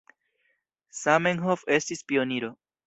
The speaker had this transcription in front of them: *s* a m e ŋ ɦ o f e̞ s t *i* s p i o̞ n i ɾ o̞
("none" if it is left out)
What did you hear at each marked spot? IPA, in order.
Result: s, i

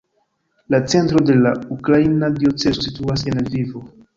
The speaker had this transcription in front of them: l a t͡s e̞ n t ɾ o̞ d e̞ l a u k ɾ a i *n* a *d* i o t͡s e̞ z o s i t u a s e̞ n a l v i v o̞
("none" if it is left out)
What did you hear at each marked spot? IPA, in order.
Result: n, d

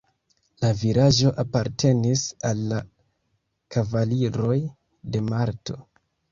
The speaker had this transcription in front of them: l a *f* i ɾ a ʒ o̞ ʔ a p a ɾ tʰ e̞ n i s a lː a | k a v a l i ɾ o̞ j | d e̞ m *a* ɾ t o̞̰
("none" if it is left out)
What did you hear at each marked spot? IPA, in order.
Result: v, a

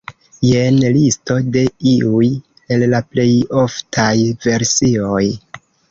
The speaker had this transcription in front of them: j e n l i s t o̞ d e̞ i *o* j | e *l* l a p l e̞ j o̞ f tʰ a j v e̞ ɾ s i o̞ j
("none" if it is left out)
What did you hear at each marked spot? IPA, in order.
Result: u, l

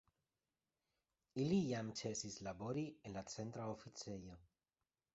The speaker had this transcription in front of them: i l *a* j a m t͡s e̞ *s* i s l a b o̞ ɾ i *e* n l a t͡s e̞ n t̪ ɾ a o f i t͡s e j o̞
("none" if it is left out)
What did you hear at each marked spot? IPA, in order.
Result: i, s, e

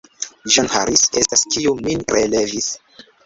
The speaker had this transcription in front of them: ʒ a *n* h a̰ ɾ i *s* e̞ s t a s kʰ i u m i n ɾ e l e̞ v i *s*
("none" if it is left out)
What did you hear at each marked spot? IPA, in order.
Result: n, s, s

